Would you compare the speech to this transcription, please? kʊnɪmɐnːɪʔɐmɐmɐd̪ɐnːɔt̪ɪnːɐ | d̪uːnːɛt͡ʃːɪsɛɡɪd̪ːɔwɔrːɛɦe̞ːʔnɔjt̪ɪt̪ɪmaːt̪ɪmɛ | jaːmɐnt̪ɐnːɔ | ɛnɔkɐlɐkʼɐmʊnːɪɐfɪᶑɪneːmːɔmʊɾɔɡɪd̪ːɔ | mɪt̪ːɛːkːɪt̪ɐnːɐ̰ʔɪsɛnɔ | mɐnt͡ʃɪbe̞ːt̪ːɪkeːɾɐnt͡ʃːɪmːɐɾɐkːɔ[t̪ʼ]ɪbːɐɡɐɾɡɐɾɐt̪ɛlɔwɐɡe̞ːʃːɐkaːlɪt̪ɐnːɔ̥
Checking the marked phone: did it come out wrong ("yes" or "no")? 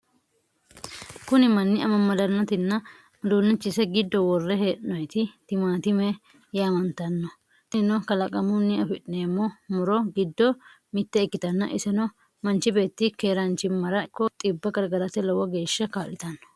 no